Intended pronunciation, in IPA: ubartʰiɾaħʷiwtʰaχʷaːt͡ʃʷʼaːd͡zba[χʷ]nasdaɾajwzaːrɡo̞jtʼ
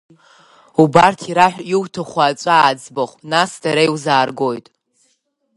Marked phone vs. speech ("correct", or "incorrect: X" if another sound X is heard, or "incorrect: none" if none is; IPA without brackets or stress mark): correct